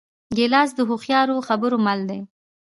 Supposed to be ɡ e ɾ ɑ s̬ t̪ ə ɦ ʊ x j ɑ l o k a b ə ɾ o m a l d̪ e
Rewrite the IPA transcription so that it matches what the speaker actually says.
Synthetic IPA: ɡ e l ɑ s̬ d̪ ə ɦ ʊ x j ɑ ɾ o x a b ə ɾ o m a l d̪ e